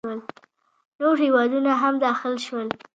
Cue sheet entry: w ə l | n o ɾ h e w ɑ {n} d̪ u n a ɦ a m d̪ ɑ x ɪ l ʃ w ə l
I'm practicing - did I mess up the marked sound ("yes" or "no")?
yes